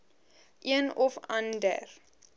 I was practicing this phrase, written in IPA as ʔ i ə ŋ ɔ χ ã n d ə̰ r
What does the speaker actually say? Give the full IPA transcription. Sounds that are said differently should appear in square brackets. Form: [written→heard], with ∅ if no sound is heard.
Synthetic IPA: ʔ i ə [ŋ→n] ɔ [χ→f] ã n d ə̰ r